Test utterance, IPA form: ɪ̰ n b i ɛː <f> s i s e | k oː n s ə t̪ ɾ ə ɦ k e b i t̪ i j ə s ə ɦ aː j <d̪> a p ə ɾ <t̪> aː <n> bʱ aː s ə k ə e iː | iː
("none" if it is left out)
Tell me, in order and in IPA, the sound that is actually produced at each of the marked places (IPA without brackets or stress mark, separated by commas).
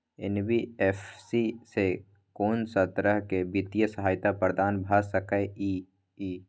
f, t̪, d̪, n